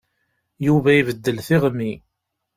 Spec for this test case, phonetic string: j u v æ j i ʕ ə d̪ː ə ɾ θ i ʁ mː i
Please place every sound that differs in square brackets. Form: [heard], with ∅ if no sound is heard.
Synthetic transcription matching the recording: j u v æ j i [v] ə d̪ː ə [l] θ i ʁ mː i